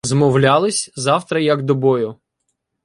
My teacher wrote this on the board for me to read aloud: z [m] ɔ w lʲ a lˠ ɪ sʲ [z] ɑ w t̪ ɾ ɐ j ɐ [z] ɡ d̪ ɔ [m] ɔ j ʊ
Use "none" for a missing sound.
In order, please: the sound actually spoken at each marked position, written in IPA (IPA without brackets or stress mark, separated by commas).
m, z, none, b